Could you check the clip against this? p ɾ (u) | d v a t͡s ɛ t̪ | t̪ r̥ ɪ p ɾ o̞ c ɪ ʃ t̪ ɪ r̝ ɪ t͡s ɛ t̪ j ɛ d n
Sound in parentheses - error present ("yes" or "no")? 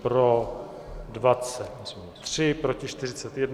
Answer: yes